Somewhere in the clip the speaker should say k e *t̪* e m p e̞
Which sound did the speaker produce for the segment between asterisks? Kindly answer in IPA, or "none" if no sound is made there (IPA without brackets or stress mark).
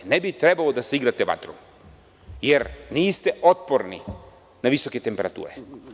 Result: t̪